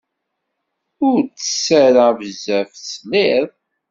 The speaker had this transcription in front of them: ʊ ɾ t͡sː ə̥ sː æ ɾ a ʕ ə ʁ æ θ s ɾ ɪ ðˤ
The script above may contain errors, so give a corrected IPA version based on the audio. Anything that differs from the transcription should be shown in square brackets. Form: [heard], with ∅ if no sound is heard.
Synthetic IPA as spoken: ʊ ɾ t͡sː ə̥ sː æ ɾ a [v] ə [z] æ [f] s [l] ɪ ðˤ